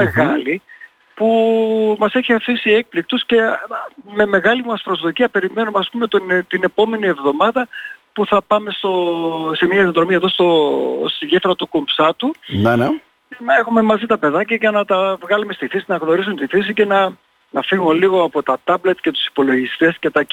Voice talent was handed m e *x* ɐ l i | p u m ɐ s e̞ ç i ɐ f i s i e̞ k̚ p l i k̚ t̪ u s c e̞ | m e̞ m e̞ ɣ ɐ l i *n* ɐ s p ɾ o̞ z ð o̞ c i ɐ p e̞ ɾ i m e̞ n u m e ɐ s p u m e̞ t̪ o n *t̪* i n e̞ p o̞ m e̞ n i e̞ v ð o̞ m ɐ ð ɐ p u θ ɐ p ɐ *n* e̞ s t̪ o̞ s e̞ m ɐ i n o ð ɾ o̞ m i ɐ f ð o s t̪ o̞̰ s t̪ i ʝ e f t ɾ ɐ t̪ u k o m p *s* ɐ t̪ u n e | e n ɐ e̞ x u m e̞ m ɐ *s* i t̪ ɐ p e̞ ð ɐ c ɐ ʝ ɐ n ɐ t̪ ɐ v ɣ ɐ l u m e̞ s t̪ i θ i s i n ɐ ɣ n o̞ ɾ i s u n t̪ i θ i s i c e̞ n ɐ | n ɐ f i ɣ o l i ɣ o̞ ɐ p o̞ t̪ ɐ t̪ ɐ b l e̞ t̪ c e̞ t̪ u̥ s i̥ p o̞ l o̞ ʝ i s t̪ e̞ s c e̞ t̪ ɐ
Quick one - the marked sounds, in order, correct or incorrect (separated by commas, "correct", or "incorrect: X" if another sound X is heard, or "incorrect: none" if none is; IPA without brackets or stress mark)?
incorrect: ɣ, incorrect: m, correct, incorrect: m, correct, incorrect: z